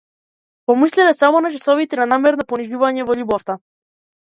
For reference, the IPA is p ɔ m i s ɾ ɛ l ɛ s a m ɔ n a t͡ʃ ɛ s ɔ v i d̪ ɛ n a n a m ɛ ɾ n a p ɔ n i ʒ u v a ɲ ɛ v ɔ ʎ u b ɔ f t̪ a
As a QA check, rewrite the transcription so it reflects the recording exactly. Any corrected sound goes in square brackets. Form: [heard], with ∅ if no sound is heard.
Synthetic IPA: p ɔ m i s [l] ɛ l ɛ s a m ɔ n a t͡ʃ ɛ s ɔ v i [t̪] ɛ n a n a m ɛ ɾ n a p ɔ n i ʒ u v a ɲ ɛ v ɔ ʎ u b ɔ f t̪ a